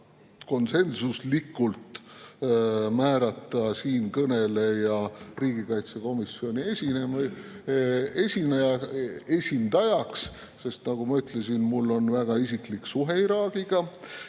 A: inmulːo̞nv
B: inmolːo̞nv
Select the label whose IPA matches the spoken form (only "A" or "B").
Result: A